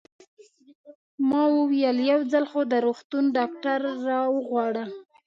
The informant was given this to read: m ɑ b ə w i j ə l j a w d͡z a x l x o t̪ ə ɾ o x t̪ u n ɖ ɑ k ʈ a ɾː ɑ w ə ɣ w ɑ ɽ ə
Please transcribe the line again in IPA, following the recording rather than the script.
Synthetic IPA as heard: m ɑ w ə w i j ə l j a w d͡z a l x o d̪ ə ɾ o x t̪ u n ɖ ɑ k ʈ a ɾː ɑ w ə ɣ w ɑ ɽ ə